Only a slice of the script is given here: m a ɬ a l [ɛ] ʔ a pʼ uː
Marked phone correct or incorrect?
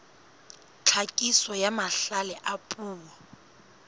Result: correct